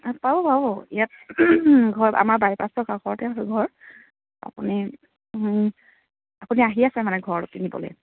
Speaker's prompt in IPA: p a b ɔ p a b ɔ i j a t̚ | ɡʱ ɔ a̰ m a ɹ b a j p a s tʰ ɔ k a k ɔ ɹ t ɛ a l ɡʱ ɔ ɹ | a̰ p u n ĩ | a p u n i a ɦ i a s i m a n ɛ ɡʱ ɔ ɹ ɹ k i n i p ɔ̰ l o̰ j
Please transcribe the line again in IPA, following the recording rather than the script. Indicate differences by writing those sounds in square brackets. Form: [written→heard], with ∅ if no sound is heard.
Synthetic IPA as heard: p a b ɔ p a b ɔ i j a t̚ | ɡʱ ɔ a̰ m a ɹ b a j p a s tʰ ɔ k a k ɔ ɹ t ɛ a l ɡʱ ɔ ɹ | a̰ p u n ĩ | a p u n i a ɦ i a s [i→ɛ] m a n ɛ ɡʱ ɔ ɹ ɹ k i n i [p→b] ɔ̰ l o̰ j

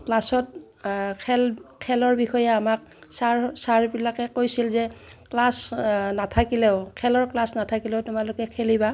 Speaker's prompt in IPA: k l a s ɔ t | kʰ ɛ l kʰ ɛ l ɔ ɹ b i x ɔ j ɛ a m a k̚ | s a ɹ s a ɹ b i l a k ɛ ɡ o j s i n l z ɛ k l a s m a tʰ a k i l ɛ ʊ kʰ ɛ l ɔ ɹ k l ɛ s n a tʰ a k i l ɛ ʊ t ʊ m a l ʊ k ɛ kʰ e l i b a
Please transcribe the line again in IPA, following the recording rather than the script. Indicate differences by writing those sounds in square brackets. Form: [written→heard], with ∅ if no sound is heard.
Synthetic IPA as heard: k l a s ɔ t | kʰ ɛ l kʰ ɛ l ɔ ɹ b i x ɔ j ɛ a m a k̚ | s a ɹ s a ɹ b i l a k ɛ [ɡ→k] o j s i [n→∅] l z ɛ k l a s [m→n] a tʰ a k i l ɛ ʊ kʰ ɛ l ɔ ɹ k l [ɛ→a] s n a tʰ a k i l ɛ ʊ t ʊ m a l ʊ k ɛ kʰ e l i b a

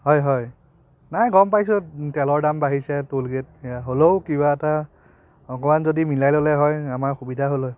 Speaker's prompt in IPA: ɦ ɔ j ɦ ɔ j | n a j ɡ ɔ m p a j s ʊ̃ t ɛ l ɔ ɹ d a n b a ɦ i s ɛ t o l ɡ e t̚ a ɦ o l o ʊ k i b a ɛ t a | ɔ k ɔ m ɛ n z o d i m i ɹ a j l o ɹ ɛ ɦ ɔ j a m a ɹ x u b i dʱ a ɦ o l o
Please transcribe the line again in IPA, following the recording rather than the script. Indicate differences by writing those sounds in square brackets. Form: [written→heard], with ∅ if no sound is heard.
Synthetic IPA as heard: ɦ ɔ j ɦ ɔ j | n a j ɡ ɔ m p a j s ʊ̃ t ɛ l ɔ ɹ d a [n→m] b a ɦ i s ɛ t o l ɡ e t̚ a ɦ o l o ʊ k i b a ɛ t a | ɔ k ɔ m [ɛ→a] n z o d i m i [ɹ→l] a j l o [ɹ→l] ɛ ɦ ɔ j a m a ɹ x u b i dʱ a ɦ o l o

